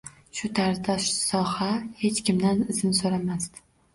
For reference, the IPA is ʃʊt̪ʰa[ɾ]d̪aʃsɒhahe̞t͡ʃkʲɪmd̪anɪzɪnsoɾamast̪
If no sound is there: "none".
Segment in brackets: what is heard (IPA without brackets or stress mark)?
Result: ɾ